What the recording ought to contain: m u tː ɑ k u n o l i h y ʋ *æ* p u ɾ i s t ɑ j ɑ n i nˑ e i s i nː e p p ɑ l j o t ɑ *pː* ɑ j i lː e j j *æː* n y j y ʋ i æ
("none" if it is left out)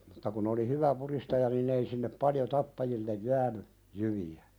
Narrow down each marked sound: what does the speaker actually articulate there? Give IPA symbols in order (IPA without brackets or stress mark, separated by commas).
æ, pː, æː